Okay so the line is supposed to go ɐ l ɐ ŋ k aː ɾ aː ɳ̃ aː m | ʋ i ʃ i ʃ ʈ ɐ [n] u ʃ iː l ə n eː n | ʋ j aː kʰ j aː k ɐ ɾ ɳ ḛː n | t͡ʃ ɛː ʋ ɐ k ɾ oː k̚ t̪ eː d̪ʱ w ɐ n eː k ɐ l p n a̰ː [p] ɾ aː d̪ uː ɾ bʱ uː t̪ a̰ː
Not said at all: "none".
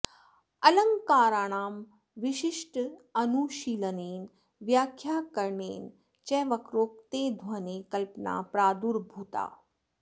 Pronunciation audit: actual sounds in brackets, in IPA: n, p

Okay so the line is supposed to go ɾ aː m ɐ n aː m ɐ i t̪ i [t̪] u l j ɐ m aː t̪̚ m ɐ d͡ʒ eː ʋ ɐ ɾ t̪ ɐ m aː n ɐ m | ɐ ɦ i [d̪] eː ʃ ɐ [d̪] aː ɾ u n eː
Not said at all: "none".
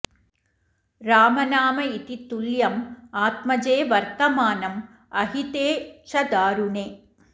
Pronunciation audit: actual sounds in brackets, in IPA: t̪, t̪, d̪

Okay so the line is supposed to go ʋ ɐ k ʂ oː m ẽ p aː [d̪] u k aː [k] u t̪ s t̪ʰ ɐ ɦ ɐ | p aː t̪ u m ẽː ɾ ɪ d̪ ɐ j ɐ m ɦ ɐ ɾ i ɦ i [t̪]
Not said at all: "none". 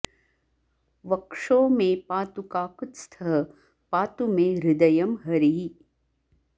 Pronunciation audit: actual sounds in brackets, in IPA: t̪, k, none

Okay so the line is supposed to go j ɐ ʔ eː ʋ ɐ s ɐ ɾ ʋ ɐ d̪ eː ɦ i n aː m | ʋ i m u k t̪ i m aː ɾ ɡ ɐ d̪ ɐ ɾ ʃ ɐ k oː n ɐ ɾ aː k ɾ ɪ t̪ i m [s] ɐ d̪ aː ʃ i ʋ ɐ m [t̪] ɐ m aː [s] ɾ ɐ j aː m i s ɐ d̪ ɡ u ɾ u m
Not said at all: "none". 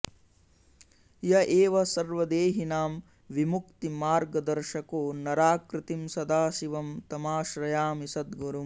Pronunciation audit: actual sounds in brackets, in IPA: s, t̪, ʃ

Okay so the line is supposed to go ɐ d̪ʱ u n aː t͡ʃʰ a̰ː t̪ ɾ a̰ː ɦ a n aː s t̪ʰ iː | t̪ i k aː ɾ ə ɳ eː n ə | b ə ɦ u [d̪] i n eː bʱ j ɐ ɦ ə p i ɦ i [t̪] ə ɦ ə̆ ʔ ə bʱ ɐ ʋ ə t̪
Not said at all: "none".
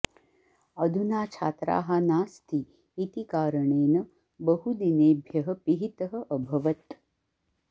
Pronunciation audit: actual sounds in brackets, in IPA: d̪, t̪

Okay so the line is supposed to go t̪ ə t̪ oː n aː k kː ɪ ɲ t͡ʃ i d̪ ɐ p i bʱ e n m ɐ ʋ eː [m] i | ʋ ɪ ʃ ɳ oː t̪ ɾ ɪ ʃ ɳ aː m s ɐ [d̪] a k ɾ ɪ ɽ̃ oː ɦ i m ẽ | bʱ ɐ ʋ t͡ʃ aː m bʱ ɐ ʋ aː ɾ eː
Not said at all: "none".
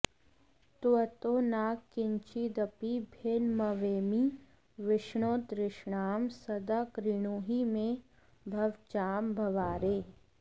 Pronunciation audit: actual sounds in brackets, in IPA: m, d̪

